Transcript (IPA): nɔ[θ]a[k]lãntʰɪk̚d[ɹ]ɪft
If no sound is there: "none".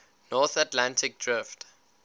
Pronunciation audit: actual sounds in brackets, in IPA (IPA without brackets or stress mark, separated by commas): θ, t, ɹ